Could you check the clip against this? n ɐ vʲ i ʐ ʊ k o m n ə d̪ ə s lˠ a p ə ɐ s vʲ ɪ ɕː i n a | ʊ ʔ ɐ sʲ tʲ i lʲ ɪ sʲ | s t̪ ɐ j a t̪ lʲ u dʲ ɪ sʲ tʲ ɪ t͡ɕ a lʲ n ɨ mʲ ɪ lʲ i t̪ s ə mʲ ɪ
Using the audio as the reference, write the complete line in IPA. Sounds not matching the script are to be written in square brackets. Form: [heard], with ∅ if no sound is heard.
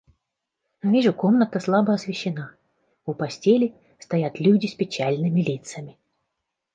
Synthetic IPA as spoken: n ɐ vʲ i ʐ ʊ k o m n ə [t̪] ə s lˠ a [b] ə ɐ s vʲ ɪ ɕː [ɪ] n a | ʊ [p] ɐ sʲ tʲ [e] lʲ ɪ [∅] | s t̪ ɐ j a t̪ lʲ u dʲ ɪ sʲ [pʲ] ɪ t͡ɕ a lʲ n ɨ mʲ ɪ lʲ i t̪ s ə mʲ ɪ